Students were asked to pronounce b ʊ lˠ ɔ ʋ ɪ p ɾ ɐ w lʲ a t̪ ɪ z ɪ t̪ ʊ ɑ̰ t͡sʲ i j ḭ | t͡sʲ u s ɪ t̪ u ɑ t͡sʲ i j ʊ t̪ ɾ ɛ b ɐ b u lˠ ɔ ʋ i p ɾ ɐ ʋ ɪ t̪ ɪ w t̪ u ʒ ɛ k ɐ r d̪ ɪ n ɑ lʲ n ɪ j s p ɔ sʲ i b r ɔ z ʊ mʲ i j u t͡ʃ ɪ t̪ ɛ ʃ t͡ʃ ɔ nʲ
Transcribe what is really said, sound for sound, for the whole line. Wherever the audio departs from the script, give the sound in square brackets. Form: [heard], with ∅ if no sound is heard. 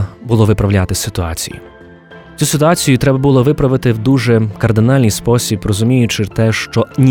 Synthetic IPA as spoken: b ʊ lˠ ɔ ʋ ɪ p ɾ ɐ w lʲ a t̪ ɪ [s] ɪ t̪ ʊ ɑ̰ t͡sʲ i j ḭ | t͡sʲ u s ɪ t̪ [ʊ] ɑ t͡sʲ i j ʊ t̪ ɾ ɛ b ɐ b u lˠ ɔ ʋ [ɪ] p ɾ ɐ ʋ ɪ t̪ ɪ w [d̪] u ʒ ɛ k ɐ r d̪ ɪ n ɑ lʲ n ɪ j s p ɔ sʲ i b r ɔ z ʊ mʲ i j [ʊ] t͡ʃ ɪ t̪ ɛ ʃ t͡ʃ ɔ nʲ